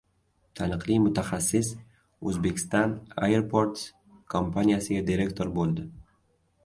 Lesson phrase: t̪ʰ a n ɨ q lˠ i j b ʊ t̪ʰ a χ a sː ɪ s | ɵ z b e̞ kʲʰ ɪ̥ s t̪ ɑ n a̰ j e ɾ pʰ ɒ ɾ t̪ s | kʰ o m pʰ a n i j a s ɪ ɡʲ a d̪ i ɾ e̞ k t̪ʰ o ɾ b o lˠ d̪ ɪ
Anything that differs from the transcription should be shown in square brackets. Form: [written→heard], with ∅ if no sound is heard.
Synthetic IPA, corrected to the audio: t̪ʰ a n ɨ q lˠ i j [b→m] ʊ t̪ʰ a χ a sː ɪ s | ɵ z b e̞ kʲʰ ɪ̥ s t̪ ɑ n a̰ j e ɾ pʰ [ɒ→o] ɾ t̪ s | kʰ o m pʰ a n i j a s ɪ ɡʲ a d̪ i ɾ e̞ k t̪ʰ o ɾ b o lˠ d̪ ɪ